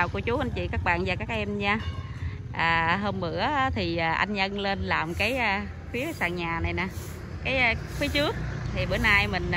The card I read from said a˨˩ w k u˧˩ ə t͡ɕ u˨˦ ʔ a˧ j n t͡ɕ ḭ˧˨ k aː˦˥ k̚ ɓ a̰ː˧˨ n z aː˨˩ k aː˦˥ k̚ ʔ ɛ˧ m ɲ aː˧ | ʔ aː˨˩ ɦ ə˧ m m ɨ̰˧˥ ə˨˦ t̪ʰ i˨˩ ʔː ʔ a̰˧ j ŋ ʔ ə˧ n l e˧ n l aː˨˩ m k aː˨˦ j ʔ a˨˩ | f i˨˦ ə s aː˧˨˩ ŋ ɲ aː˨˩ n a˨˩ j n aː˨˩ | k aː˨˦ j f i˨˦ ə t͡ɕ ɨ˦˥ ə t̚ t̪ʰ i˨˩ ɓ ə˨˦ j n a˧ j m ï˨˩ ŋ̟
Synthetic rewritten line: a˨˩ w k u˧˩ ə t͡ɕ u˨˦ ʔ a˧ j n t͡ɕ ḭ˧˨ k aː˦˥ k̚ ɓ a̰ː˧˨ n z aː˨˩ k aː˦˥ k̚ ʔ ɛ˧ m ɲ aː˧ | ʔ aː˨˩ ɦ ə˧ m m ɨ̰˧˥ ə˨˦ t̪ʰ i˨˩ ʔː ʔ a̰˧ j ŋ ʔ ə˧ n l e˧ n l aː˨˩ m k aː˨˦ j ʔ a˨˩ | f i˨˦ ə s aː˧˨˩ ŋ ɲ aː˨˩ n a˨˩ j n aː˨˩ | k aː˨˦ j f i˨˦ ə t͡ɕ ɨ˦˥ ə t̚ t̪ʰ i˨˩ ɓ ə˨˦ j n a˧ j m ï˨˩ ŋ̟